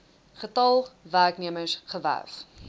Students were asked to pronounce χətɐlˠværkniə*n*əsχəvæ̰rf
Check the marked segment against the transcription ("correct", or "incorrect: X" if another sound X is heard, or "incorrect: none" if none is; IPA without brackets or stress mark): incorrect: m